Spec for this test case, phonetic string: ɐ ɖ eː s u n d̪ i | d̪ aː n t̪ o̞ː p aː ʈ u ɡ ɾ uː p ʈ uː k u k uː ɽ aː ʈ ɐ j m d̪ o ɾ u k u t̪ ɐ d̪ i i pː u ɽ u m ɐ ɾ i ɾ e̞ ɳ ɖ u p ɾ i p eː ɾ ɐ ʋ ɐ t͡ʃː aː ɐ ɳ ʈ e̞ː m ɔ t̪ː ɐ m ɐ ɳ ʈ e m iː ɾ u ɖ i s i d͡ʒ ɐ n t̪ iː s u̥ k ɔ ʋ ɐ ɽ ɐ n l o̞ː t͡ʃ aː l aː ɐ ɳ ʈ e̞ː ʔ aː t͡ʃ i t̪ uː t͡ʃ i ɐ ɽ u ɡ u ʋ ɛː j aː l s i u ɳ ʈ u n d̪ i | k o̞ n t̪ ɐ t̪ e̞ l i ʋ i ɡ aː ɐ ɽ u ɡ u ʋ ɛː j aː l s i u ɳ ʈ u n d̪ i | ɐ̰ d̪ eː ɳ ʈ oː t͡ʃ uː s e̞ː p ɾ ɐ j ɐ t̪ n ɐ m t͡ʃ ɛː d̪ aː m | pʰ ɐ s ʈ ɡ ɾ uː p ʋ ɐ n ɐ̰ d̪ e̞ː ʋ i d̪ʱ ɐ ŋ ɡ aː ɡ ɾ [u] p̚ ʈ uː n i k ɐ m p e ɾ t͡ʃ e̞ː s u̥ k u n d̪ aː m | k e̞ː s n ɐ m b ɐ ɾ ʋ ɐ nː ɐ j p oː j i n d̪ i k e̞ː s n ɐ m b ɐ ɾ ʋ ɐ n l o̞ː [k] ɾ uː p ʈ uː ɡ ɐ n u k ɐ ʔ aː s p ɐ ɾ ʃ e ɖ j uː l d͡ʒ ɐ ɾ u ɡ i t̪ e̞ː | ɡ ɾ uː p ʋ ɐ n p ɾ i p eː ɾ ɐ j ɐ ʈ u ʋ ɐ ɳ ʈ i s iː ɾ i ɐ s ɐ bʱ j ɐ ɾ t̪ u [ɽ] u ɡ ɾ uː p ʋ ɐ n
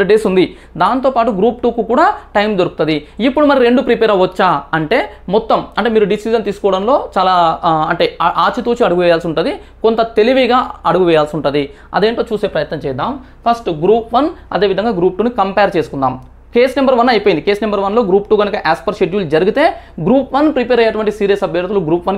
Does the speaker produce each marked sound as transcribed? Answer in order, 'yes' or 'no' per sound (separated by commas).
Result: no, no, no